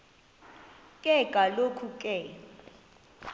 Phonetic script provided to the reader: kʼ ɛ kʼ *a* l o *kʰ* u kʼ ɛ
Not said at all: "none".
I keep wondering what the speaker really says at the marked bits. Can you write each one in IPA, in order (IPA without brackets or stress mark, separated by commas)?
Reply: a, kʰ